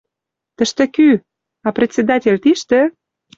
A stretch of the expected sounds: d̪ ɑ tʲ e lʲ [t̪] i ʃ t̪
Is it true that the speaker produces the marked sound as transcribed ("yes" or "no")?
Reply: yes